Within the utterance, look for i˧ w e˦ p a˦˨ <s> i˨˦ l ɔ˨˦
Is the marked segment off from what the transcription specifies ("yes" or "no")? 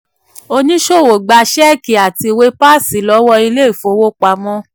no